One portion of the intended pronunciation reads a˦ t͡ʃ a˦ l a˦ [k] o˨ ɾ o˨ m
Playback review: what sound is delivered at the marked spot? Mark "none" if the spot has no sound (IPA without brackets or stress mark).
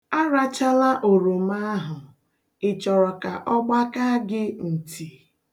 ʔ